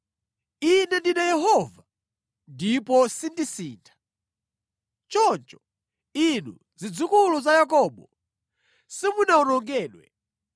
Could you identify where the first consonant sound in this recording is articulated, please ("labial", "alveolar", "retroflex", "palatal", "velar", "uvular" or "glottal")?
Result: alveolar